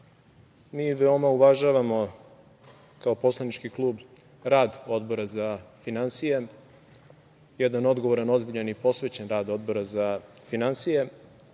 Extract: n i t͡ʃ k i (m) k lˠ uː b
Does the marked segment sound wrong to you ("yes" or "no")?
yes